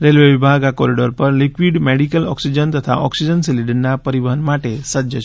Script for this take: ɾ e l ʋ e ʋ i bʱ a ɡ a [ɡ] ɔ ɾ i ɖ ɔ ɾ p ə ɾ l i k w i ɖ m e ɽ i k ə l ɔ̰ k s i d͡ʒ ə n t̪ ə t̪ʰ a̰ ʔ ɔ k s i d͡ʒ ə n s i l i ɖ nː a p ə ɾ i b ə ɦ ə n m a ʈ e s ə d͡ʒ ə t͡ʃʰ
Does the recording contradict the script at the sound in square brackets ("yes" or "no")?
yes